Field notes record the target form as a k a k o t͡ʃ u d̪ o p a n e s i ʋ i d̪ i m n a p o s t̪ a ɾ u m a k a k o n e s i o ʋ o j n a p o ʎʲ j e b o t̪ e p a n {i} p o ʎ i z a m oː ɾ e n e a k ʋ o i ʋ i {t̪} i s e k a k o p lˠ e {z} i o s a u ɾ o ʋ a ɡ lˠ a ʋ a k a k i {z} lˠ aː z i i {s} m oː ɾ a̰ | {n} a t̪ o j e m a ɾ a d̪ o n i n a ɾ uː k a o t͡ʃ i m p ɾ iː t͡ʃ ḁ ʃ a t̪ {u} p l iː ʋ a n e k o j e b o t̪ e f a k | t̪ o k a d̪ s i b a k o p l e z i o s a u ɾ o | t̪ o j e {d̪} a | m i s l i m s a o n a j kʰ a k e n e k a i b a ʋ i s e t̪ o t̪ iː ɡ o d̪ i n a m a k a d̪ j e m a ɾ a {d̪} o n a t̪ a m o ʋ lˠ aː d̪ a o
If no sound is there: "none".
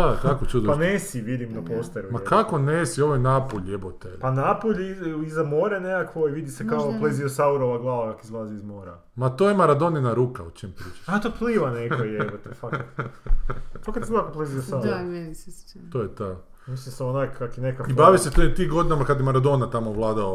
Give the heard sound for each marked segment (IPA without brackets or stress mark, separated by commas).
a, d̪, z, z, z, m, o, t̪, d̪